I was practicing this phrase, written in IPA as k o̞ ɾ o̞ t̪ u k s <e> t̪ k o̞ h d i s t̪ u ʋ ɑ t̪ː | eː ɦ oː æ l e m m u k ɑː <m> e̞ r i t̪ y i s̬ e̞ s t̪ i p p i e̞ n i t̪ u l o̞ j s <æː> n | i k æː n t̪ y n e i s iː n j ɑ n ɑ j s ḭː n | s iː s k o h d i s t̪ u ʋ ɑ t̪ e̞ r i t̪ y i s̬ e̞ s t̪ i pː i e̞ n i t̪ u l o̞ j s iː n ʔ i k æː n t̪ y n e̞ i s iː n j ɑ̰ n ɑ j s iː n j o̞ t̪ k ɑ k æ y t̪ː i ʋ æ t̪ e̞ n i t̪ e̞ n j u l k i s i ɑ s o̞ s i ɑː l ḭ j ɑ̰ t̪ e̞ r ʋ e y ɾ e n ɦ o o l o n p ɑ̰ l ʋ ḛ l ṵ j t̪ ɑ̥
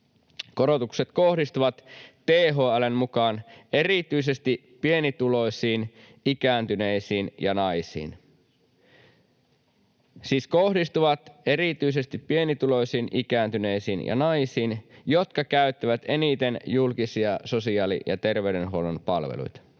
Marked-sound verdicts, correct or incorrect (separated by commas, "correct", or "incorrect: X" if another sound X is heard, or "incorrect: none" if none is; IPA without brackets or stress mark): correct, incorrect: n, incorrect: iː